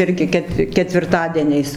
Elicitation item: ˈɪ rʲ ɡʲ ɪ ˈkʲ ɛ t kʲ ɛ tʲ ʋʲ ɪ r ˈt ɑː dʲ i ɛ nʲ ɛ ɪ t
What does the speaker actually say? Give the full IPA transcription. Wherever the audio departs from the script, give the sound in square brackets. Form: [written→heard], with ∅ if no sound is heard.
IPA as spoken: ˈɪ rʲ ɡʲ ɪ ˈkʲ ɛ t kʲ ɛ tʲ ʋʲ ɪ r ˈt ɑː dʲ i ɛ nʲ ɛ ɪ [t→s]